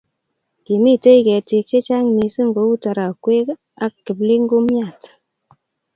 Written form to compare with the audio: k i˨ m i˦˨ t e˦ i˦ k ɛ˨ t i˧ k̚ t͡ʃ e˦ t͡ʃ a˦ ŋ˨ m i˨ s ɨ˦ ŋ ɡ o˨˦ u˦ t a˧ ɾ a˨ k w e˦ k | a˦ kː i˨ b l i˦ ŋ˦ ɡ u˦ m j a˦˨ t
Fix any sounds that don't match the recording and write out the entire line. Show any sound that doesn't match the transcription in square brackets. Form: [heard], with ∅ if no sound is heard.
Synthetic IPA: k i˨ m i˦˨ t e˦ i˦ k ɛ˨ t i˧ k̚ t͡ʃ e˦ t͡ʃ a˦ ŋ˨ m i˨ s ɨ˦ ŋ ɡ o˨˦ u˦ t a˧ ɾ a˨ k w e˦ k | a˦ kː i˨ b l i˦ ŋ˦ ɡ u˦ m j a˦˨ t